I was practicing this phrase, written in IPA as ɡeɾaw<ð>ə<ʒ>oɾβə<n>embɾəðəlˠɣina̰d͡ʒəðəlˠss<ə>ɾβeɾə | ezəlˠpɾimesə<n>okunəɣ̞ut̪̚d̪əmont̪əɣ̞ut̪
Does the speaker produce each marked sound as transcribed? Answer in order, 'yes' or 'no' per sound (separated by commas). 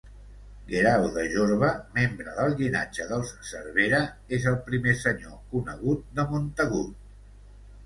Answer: yes, yes, no, yes, no